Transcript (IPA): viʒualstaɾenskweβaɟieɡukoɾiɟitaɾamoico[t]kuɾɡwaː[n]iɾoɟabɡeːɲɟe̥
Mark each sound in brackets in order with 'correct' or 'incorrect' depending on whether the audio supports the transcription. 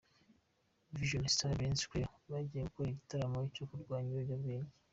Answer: incorrect: none, incorrect: ɲ

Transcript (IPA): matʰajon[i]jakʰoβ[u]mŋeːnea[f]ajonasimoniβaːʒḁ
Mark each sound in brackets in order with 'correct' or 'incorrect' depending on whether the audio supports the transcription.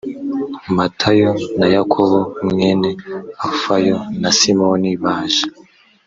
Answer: incorrect: a, incorrect: o, correct

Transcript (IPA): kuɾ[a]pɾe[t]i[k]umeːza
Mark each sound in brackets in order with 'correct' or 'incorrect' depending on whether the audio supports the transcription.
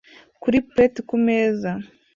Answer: incorrect: i, correct, correct

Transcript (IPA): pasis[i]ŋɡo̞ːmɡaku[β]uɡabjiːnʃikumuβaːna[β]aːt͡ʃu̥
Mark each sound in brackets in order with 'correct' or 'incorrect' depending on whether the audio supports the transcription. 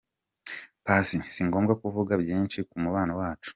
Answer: correct, incorrect: v, incorrect: w

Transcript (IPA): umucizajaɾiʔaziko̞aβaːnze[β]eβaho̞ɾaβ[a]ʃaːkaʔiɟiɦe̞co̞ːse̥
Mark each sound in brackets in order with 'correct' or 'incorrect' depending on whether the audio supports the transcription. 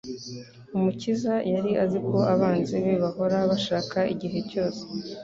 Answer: correct, correct

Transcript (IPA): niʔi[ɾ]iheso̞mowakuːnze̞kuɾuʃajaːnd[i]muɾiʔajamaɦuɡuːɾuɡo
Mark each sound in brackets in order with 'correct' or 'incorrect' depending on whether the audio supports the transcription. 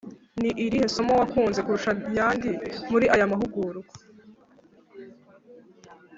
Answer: correct, correct

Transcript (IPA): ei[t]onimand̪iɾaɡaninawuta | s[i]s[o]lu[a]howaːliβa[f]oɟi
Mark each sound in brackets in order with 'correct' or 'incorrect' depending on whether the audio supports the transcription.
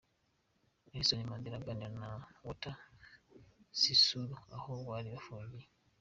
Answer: incorrect: s, correct, incorrect: u, correct, correct

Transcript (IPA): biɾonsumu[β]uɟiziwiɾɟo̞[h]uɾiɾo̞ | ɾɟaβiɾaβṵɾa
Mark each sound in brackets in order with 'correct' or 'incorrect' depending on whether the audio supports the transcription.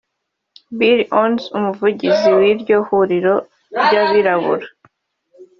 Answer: incorrect: v, correct

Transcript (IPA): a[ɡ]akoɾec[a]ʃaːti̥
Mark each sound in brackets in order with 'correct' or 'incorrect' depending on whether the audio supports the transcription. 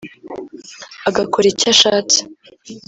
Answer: correct, correct

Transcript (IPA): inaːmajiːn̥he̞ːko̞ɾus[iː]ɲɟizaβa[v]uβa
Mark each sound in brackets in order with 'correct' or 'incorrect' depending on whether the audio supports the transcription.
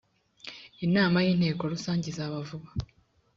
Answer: incorrect: aː, correct

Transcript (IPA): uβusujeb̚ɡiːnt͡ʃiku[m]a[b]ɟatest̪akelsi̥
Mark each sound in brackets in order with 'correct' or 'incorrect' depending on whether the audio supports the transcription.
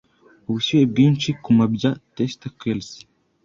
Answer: correct, correct

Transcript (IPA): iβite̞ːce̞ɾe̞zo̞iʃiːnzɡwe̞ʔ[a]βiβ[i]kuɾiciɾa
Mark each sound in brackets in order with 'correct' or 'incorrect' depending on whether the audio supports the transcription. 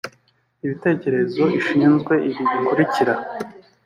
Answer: incorrect: i, correct

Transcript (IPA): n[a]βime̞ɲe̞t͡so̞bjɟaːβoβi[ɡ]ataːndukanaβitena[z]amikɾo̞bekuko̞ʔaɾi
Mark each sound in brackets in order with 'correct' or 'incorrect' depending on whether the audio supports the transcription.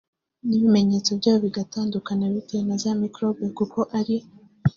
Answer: incorrect: i, correct, correct

